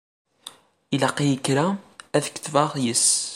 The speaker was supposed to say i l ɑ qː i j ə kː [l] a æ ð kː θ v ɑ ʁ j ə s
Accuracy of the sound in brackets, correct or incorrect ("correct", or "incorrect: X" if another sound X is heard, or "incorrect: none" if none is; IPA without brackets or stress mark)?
incorrect: ɾ